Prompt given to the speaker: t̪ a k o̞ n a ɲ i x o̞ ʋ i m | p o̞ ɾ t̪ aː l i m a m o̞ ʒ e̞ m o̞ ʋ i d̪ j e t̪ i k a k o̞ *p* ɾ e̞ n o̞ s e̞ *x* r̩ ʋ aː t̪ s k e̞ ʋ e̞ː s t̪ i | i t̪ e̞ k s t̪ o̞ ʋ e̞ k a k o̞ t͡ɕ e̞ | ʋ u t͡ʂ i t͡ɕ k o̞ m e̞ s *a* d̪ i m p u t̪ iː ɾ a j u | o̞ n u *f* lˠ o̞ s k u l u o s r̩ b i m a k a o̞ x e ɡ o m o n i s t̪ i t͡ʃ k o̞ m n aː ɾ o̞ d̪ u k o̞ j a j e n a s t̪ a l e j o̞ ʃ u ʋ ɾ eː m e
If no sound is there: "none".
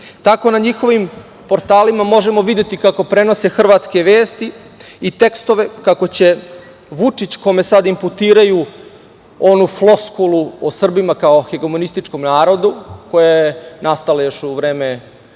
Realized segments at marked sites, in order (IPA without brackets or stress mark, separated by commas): p, x, a, f